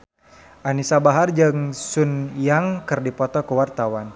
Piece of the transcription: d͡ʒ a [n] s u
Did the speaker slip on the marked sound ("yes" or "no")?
yes